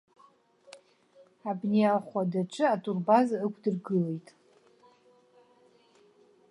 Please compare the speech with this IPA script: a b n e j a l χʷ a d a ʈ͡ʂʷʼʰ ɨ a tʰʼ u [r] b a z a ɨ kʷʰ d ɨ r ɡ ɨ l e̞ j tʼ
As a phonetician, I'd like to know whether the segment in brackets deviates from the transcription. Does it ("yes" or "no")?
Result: no